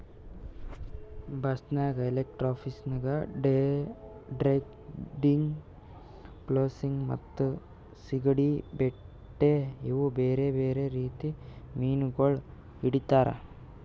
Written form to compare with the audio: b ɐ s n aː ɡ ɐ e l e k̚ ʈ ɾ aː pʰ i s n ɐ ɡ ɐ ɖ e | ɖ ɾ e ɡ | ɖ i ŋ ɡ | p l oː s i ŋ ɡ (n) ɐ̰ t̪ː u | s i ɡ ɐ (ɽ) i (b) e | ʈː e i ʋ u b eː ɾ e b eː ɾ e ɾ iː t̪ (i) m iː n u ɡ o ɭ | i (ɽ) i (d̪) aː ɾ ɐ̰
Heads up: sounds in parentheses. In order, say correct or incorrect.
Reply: incorrect, correct, correct, correct, correct, incorrect

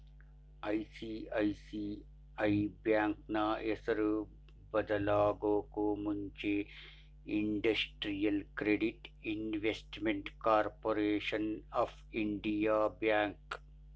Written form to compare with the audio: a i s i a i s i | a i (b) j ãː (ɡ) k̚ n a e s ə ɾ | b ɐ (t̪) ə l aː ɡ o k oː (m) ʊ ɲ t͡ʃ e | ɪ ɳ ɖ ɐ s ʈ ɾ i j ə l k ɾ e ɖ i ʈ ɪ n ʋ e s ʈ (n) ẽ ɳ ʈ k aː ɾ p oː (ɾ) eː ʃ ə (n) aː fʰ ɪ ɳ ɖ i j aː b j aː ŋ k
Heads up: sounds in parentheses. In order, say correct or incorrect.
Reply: correct, incorrect, incorrect, correct, incorrect, correct, correct

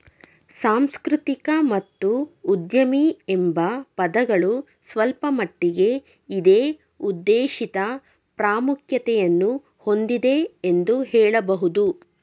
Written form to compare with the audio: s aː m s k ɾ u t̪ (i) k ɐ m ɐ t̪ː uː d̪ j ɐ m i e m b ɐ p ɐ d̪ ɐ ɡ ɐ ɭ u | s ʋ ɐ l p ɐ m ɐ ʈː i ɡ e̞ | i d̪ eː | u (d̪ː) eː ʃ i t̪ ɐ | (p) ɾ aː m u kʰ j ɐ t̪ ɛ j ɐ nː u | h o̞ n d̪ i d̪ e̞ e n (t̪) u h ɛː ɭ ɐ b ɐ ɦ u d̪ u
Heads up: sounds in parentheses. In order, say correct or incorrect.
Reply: correct, correct, correct, incorrect

